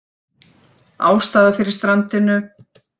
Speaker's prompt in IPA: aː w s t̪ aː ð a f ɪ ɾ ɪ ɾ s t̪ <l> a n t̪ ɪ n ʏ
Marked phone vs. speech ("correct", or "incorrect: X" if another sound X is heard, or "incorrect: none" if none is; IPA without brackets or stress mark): incorrect: ɾ